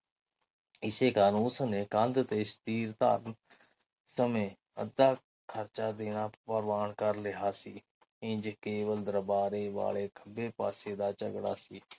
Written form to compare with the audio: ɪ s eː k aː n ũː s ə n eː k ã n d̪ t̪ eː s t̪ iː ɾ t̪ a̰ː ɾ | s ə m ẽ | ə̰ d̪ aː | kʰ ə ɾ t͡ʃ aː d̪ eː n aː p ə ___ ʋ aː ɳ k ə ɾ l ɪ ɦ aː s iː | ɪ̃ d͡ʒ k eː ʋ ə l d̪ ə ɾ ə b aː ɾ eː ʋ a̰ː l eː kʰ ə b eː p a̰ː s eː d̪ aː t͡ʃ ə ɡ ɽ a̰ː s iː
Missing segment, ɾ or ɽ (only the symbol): ɾ